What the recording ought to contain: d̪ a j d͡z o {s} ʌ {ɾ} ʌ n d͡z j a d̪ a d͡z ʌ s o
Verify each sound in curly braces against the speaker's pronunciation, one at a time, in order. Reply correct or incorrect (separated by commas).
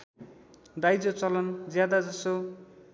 incorrect, incorrect